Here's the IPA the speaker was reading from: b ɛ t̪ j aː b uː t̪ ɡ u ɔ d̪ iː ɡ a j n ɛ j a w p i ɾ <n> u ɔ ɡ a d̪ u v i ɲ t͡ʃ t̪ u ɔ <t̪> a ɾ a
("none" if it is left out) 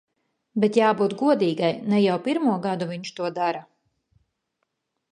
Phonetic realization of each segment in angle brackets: m, d̪

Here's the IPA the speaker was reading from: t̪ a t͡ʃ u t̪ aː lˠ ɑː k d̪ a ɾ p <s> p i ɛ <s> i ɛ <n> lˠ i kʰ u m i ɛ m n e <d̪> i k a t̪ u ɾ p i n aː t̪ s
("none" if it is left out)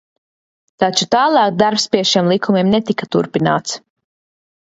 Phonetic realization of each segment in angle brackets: s, ʃ, m, t̪

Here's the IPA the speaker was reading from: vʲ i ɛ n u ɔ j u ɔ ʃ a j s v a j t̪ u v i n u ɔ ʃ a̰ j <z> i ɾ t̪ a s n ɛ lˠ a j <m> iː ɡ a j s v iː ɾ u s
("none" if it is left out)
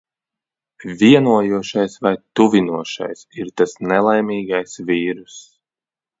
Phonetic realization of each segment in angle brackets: s, m

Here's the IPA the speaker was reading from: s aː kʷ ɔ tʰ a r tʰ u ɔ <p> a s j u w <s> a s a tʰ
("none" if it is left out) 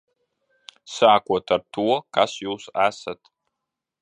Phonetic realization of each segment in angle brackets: k, s

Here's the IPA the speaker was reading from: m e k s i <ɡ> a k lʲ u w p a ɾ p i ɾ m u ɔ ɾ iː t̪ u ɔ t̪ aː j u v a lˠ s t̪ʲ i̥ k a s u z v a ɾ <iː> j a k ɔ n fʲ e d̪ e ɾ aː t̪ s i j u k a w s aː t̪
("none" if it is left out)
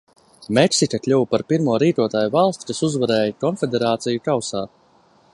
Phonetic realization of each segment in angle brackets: k, ɛː

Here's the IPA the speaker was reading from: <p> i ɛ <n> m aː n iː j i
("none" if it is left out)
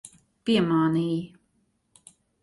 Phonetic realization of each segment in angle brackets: p, none

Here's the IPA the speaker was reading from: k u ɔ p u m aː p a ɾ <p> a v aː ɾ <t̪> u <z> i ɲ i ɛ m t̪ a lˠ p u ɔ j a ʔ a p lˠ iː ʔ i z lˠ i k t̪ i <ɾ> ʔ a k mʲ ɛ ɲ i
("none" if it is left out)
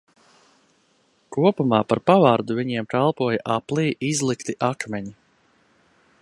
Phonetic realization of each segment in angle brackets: p, d̪, v, none

